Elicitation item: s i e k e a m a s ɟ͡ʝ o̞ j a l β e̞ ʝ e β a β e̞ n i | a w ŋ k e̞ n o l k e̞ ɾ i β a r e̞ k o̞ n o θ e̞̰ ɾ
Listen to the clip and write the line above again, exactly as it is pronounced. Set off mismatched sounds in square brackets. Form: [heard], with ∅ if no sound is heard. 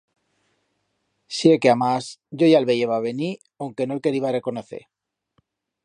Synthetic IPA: s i e k e a m a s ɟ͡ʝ o̞ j a l β e̞ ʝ e β a β e̞ n i | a w ŋ k e̞ n o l k e̞ ɾ i β a r e̞ k o̞ n o θ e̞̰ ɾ